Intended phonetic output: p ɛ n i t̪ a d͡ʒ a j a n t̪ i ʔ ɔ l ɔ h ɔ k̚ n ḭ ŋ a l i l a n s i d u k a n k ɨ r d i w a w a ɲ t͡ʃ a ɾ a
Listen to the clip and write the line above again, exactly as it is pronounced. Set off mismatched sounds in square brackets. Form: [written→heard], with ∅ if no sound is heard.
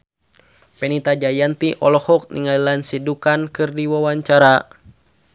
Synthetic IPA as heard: p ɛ n i t̪ a d͡ʒ a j a n t̪ i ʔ ɔ l ɔ h ɔ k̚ n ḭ ŋ a l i l a n s i d u k a n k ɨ r d i w a w a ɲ t͡ʃ a ɾ a